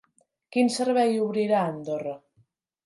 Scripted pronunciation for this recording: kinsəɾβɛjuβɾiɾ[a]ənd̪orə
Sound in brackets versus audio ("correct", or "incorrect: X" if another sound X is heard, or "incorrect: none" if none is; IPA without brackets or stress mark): correct